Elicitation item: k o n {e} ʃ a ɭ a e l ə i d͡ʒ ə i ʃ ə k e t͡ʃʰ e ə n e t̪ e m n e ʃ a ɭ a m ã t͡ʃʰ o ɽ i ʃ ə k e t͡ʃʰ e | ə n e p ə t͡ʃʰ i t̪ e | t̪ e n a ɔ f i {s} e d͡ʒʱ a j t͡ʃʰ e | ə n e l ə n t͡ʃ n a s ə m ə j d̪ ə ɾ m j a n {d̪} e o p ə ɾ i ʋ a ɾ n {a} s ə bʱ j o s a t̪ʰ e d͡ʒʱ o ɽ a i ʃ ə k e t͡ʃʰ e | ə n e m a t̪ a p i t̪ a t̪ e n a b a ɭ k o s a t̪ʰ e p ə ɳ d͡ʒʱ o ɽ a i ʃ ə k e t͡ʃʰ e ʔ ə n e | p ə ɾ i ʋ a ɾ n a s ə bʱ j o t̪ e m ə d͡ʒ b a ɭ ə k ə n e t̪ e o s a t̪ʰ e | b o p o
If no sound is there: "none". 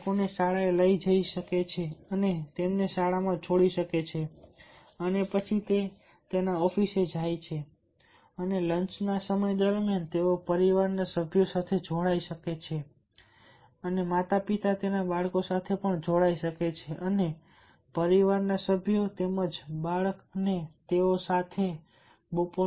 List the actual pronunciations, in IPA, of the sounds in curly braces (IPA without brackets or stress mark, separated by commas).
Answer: e, s, t̪, a